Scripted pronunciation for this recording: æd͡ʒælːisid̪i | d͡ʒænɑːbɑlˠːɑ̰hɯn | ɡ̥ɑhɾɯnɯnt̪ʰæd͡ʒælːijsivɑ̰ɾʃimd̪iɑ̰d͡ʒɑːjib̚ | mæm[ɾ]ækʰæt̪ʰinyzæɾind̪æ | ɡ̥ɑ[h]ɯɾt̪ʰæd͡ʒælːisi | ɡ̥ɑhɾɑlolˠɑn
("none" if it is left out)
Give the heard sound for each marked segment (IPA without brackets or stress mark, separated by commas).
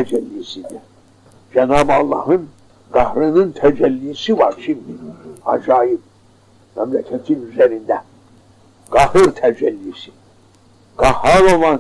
l, h